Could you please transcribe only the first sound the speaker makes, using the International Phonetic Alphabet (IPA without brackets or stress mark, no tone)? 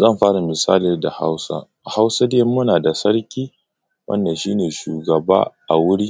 z